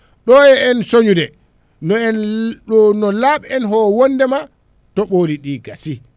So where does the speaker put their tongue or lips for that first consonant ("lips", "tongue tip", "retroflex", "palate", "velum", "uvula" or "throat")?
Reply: tongue tip